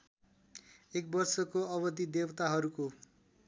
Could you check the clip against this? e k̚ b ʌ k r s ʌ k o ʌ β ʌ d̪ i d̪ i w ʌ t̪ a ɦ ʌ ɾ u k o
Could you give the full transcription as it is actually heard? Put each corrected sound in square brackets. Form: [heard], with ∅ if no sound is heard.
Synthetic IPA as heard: e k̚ b ʌ [∅] r s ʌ k o ʌ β ʌ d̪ i d̪ [e] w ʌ t̪ a ɦ ʌ ɾ u k o

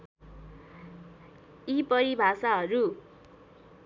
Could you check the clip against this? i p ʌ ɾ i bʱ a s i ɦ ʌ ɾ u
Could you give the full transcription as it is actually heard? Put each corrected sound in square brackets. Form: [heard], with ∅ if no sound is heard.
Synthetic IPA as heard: i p ʌ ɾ i bʱ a s [a] ɦ ʌ ɾ u

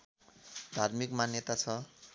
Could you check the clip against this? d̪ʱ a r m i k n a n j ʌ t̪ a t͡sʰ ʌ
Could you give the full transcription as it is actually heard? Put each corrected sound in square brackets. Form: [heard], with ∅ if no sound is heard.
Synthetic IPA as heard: d̪ʱ a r m i k [m] a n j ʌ t̪ a t͡sʰ ʌ

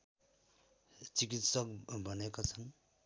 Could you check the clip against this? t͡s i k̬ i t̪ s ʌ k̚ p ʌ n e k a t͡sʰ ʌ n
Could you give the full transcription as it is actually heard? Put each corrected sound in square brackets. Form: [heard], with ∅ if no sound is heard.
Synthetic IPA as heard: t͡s i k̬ i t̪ s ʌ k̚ [b] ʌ n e k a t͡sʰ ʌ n

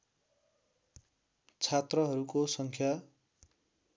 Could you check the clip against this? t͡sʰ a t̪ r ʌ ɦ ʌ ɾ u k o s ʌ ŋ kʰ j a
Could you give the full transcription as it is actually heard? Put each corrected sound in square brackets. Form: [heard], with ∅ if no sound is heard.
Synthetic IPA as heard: t͡sʰ a t̪ r ʌ ɦ ʌ ɾ u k o s ʌ ŋ kʰ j a

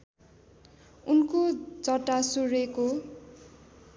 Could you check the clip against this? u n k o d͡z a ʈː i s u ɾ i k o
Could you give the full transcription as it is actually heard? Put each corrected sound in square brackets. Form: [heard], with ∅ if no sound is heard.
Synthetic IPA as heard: u n k o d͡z [ʌ] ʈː [a] s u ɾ [e] k o

